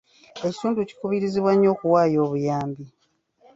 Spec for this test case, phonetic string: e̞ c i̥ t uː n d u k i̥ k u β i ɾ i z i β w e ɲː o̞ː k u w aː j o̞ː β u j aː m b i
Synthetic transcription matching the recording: e̞ c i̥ t uː n d u c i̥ k u β i ɾ i z i β w a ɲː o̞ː k u w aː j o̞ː β u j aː m b i

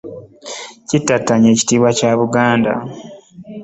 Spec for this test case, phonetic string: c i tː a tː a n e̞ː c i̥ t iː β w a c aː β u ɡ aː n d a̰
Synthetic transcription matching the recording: c i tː a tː a ɲ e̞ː c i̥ t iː β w a c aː β u ɡ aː n d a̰

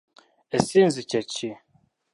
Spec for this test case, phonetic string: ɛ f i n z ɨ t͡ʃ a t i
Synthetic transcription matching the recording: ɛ s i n z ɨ t͡ʃ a t͡ʃ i

